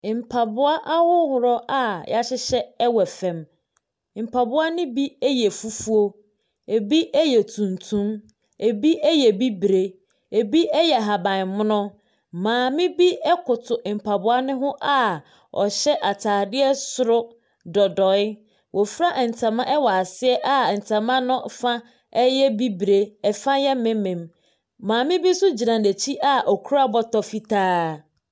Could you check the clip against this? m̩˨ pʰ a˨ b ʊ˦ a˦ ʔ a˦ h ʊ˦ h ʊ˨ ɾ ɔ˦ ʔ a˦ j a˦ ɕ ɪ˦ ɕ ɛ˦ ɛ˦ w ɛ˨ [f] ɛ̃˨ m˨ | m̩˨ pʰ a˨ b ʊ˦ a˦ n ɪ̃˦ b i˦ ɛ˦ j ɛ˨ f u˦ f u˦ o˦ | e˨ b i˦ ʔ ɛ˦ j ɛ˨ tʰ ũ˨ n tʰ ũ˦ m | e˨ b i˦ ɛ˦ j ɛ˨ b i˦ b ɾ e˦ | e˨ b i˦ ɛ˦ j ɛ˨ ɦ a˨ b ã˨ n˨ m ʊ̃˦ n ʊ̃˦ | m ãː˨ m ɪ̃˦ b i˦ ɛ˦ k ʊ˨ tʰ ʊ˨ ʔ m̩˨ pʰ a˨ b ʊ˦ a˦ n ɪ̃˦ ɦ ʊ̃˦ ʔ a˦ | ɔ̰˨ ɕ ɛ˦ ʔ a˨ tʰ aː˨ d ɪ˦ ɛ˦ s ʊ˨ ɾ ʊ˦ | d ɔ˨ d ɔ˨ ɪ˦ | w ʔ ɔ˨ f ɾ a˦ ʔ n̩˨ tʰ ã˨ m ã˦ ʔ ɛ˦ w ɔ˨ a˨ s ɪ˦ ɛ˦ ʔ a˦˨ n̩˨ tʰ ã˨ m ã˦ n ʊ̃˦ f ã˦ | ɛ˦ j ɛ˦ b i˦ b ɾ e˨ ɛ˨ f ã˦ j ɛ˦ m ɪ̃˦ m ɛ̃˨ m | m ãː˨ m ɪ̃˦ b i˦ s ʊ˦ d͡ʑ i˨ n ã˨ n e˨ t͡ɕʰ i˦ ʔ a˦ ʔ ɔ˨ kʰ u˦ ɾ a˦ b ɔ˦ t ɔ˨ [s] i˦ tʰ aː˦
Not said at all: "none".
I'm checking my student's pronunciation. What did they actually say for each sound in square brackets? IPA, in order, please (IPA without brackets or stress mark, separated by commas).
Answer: f, f